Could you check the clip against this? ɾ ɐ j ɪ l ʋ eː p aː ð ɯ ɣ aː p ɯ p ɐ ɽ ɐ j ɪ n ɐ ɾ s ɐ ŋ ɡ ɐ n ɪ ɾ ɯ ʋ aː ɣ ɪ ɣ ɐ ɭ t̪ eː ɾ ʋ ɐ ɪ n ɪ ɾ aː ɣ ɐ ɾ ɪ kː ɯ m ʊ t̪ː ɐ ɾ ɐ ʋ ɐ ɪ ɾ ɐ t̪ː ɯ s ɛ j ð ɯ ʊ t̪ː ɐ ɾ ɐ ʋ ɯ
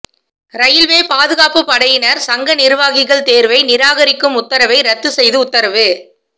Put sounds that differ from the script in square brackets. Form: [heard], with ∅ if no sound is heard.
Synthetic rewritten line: ɾ ɐ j ɪ l ʋ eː p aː ð ɯ ɣ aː p ɯ p ɐ ɽ ɐ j ɪ n ɐ ɾ s ɐ ŋ ɡ ɐ n ɪ ɾ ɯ ʋ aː ɣ ɪ ɣ ɐ ɭ t̪ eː ɾ ʋ ɐ ɪ n ɪ ɾ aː ɣ ɐ ɾ ɪ kː ɯ m ʊ t̪ː ɐ ɾ ɐ ʋ ɐ ɪ ɾ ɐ t̪ː ɯ s ɛ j ð ɯ ʊ t̪ː ɐ ɾ ɐ ʋ ɯ